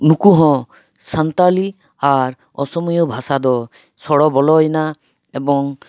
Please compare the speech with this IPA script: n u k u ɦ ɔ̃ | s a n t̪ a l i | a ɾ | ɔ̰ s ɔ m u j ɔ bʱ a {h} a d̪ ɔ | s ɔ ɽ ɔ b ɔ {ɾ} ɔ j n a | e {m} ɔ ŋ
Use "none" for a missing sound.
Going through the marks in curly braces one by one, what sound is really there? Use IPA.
s, l, b

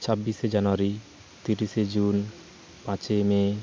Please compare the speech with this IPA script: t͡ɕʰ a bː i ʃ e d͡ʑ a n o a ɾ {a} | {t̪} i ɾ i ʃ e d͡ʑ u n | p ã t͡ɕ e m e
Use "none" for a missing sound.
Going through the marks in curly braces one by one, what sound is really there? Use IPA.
i, t̪

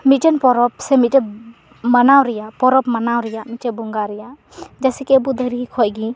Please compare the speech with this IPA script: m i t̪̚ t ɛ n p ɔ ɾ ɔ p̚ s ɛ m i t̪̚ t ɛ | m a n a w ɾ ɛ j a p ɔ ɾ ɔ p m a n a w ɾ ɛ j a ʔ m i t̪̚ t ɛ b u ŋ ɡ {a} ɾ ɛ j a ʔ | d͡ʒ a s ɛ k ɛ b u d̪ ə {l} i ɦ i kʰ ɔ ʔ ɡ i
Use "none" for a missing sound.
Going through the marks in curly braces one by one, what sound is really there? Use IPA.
a, ɾ

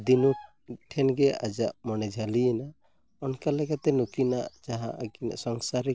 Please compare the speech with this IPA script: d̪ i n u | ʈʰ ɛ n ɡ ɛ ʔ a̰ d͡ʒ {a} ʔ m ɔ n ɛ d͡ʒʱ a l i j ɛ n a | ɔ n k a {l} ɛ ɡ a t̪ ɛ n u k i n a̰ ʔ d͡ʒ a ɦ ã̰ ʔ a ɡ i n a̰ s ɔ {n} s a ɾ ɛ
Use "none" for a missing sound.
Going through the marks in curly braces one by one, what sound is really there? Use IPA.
a, l, ŋ

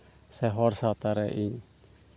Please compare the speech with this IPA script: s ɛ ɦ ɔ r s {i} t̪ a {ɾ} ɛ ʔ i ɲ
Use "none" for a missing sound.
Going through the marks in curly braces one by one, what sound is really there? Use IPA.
a, ɾ

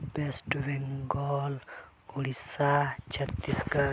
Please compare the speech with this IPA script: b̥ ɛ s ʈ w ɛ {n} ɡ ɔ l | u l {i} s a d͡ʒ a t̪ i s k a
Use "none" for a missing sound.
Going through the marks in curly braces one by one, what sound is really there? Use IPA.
ŋ, i

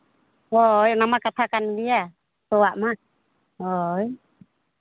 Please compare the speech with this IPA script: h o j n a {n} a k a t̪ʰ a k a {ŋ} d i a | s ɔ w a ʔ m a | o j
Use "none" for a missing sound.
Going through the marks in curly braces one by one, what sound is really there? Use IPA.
m, n

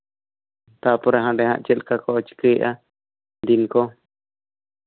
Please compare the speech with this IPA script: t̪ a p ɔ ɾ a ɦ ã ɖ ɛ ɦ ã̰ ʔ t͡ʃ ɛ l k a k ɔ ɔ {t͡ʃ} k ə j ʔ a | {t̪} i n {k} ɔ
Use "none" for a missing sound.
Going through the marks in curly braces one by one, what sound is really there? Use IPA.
t͡ʃ, d̪, k

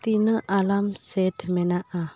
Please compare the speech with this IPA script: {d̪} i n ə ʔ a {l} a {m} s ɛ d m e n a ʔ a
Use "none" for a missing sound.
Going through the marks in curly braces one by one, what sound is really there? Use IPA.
t̪, l, m

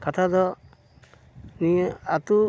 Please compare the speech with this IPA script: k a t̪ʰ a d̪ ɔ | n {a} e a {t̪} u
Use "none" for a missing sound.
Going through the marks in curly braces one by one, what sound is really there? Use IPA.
i, t̪

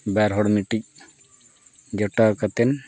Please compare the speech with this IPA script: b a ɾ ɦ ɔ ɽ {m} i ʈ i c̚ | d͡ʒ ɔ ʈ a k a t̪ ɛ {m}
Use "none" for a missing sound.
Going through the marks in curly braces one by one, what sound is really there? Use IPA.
m, n

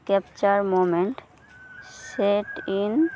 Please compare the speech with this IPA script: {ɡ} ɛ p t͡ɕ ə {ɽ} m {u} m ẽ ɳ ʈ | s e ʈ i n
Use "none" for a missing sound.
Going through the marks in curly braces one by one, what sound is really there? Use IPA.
k, ɾ, o

